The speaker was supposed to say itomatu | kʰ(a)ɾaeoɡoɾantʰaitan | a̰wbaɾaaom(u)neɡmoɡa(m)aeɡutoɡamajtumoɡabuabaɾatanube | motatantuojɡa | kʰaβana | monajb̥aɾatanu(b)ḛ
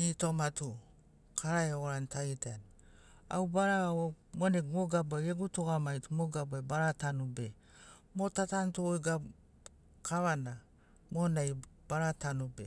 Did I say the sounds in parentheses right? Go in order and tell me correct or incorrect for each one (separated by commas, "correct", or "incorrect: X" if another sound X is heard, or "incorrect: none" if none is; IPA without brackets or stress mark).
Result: correct, incorrect: o, incorrect: b, correct